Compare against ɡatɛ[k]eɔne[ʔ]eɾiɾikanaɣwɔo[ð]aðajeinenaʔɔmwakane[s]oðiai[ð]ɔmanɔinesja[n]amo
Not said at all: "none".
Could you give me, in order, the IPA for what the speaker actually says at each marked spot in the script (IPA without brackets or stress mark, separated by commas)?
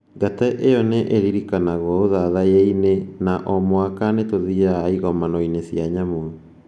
ʔ, ʔ, ð, t, ɣ, ɲ